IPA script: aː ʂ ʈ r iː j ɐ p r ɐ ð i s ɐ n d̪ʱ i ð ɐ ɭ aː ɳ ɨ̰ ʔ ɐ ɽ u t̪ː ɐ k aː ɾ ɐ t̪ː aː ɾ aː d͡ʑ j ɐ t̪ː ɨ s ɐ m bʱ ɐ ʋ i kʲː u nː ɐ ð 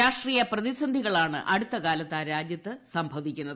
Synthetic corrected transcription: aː ʂ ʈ r iː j ɐ p r ɐ ð i s ɐ n d̪ʱ i ɣ ɐ ɭ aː ɳ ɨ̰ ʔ ɐ ɽ u t̪ː ɐ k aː l ɐ t̪ː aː ɾ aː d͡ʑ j ɐ t̪ː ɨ s ɐ m bʱ ɐ ʋ i kʲː u nː ɐ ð